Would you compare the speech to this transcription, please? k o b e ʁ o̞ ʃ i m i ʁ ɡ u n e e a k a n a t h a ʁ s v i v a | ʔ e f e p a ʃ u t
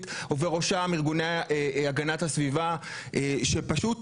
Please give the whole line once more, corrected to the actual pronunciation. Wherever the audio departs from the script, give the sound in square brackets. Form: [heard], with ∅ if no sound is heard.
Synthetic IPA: [t] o [v] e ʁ o̞ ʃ [a] m i ʁ ɡ u n e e a [ɡ] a n a t h a [∅] s v i v a | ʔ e [ʃ] e p a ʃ u t